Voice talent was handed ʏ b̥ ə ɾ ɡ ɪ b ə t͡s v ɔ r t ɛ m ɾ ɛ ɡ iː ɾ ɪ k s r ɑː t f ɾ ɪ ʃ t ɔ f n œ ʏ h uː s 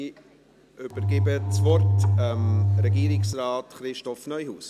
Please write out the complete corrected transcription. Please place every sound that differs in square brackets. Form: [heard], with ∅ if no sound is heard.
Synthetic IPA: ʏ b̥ ə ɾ ɡ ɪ b ə t͡s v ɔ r t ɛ m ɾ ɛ ɡ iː ɾ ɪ k s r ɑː t [χ] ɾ ɪ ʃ t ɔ f n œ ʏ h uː s